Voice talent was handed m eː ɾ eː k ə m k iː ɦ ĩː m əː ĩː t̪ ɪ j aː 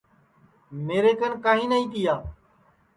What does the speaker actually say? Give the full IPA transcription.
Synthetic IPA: m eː ɾ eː k ə n k aː ɦ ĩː n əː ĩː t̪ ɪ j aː

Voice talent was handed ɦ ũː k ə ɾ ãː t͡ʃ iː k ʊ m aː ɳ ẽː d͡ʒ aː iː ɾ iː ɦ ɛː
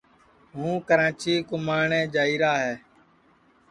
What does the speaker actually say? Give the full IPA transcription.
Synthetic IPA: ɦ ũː k ə ɾ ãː t͡ʃ iː k ʊ m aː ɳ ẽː d͡ʒ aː iː ɾ aː ɦ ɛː

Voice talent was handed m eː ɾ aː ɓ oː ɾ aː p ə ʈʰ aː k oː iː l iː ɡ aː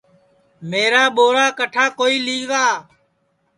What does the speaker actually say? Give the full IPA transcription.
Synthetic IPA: m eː ɾ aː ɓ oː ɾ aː k ə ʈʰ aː k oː iː l iː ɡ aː

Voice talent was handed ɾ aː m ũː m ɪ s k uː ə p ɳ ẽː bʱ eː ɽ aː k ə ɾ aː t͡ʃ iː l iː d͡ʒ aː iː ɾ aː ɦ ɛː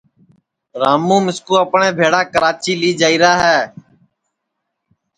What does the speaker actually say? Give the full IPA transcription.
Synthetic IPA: ɾ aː m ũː m ɪ s k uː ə p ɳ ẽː bʱ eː ɽ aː k ə ɾ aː t͡ʃ iː l iː d͡ʒ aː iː ɾ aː ɦ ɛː

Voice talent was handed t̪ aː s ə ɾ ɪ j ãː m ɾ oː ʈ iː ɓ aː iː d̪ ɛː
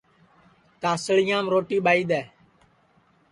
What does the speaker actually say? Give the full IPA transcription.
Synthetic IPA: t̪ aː s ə ɭ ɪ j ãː m ɾ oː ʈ iː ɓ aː iː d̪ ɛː

